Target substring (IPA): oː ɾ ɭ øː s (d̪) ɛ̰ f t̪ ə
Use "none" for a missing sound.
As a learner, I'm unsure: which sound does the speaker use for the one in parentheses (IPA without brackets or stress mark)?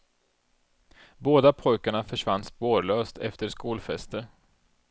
t̪